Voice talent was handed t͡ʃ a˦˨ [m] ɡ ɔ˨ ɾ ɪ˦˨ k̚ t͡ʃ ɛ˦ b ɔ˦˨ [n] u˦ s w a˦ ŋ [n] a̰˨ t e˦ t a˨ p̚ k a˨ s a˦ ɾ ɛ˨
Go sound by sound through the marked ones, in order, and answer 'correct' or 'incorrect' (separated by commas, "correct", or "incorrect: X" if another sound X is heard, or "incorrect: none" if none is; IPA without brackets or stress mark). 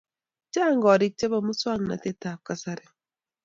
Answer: incorrect: ŋ, incorrect: m, correct